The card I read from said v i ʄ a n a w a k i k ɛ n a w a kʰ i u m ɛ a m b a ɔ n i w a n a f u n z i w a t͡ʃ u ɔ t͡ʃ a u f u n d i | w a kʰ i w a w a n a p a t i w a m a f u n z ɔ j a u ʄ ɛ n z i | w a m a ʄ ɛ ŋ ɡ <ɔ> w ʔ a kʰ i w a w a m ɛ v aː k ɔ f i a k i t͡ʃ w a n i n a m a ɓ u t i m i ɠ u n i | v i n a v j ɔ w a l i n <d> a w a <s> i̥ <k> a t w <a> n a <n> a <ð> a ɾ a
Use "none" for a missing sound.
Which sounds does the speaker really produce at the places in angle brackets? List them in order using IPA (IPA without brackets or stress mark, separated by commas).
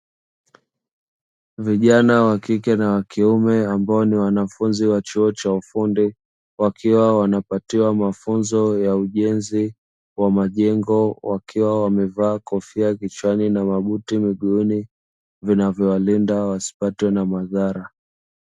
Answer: ɔ, d, s, p, ɛ, m, ð